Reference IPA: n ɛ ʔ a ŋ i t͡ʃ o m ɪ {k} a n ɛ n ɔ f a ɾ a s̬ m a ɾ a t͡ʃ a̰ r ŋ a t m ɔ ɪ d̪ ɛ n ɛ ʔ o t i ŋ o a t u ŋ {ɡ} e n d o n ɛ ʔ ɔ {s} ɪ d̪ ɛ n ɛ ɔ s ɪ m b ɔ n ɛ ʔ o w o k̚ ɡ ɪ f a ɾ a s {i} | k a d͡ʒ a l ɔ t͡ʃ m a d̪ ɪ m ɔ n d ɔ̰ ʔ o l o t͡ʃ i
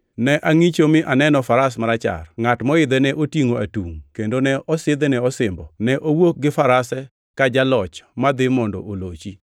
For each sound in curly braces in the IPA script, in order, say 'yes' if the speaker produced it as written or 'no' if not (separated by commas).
no, no, yes, no